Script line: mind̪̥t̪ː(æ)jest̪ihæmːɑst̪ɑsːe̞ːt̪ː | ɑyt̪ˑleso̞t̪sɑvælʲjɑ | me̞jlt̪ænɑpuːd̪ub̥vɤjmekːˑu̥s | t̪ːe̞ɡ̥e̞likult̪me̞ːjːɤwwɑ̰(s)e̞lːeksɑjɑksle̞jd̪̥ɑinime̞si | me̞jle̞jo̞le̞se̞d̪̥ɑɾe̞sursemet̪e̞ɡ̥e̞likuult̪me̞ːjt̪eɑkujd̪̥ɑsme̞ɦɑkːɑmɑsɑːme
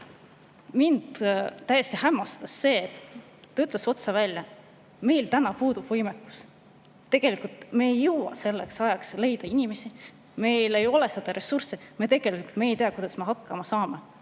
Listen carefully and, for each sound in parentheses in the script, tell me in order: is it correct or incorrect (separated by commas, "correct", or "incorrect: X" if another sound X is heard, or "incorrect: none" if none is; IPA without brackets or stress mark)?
correct, correct